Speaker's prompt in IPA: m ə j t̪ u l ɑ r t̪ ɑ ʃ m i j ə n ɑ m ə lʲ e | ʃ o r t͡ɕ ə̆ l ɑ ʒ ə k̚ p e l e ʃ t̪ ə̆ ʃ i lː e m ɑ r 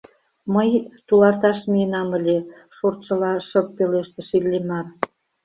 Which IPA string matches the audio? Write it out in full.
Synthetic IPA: m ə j t̪ u l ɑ r t̪ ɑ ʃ m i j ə n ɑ m ə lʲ e | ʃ o r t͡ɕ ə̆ l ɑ ʃ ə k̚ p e l e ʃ t̪ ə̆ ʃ i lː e m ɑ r

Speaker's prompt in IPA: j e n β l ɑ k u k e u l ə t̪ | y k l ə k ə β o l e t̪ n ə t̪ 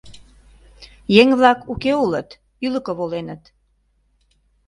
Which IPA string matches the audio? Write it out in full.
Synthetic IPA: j e ŋ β l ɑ k u k e u l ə t̪ | y l ə k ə β o l e n ə t̪

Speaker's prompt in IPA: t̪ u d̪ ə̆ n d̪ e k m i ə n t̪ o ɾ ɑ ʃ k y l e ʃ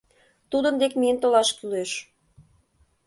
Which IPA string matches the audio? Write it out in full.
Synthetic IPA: t̪ u d̪ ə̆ n d̪ e k m i ə n t̪ o l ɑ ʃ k y l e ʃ

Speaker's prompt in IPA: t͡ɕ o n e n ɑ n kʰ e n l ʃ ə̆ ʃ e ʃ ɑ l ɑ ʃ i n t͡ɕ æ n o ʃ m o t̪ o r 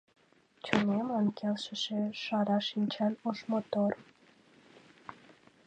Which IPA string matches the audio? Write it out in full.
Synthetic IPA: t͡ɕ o n e m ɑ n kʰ e l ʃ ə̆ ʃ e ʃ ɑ ɾ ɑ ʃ i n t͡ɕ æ n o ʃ m o t̪ o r

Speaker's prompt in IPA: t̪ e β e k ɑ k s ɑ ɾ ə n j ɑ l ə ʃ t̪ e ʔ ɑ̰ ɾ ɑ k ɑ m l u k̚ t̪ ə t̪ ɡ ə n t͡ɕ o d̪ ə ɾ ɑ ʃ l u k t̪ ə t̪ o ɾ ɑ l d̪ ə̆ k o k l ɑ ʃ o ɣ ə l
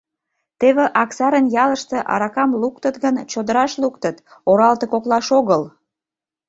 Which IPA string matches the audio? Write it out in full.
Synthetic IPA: t̪ e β e ʔ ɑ k s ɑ ɾ ə n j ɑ l ə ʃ t̪ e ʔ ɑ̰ ɾ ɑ k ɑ m l u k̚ t̪ ə t̪ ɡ ə n t͡ɕ o d̪ ə ɾ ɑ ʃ l u k t̪ ə t̪ o ɾ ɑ l t̪ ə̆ k o k l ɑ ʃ o ɣ ə l

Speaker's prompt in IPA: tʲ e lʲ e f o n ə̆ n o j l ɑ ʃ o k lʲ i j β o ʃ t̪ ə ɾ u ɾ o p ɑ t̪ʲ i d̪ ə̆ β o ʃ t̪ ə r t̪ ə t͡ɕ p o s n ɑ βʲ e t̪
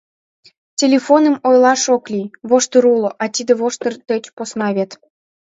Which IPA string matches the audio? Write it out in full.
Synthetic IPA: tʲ e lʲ e f o n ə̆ m o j l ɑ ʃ o k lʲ i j β o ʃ t̪ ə ɾ u l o ʔ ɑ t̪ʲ i d̪ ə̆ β o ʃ t̪ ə r t̪ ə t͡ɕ p o s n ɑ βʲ e t̪

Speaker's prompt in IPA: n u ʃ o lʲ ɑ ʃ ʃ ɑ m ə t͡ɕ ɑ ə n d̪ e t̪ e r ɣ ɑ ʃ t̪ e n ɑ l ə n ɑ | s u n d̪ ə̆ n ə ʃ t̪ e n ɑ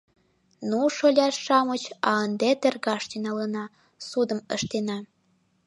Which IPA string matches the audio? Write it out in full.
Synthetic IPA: n u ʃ o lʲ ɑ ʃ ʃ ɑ m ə t͡ɕ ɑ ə n d̪ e t̪ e r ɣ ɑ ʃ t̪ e n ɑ l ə n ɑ | s u d̪ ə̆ m ə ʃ t̪ e n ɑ

